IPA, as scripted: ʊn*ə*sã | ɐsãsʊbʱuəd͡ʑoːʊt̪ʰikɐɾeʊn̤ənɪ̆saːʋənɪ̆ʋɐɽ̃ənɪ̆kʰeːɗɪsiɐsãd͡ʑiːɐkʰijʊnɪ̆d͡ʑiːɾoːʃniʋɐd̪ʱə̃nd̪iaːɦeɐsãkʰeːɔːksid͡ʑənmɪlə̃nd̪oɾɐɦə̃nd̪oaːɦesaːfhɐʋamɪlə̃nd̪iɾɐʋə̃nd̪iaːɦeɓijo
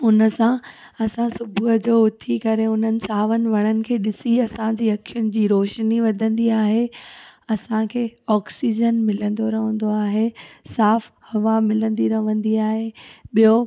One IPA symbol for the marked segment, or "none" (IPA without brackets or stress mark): ə